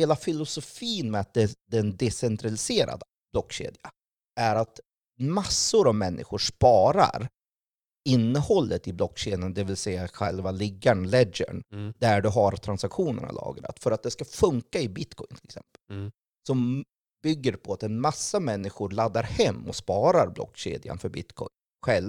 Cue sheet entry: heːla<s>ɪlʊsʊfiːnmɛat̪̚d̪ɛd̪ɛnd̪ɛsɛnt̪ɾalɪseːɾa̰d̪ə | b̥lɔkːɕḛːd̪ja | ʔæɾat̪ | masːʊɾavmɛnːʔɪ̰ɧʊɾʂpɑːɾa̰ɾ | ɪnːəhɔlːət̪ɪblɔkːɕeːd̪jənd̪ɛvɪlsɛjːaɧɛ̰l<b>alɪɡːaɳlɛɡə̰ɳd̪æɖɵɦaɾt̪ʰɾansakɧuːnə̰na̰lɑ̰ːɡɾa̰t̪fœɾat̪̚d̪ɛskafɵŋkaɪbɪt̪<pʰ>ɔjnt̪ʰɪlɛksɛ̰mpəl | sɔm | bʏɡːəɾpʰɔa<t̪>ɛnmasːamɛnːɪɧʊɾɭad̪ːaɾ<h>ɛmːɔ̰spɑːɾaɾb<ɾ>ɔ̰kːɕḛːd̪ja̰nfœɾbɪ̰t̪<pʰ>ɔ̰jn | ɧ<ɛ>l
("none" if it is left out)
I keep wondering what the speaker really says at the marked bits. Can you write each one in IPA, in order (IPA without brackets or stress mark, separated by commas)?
f, v, kʰ, t̪, h, l, kʰ, ɛ